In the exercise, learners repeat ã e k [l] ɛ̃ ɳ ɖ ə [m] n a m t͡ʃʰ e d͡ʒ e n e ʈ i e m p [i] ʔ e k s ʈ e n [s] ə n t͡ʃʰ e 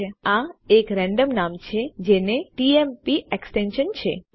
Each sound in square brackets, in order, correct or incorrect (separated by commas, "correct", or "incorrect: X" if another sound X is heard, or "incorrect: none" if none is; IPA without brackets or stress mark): incorrect: ɾ, correct, correct, incorrect: ʃ